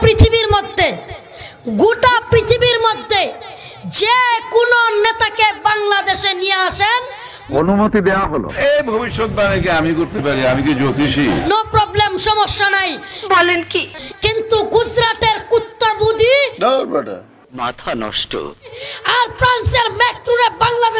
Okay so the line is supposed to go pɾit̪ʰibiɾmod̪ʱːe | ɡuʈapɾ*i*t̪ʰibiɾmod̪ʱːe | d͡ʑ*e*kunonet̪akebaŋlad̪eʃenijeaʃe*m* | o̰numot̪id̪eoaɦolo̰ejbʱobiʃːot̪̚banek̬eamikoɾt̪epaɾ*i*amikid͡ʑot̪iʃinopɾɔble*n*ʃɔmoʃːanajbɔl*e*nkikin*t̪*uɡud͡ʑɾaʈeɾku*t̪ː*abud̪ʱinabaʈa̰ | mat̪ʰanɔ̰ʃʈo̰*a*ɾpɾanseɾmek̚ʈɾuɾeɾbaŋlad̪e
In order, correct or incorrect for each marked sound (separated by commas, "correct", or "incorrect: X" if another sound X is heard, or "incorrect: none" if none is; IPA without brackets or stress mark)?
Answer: correct, correct, incorrect: n, correct, incorrect: m, correct, correct, correct, correct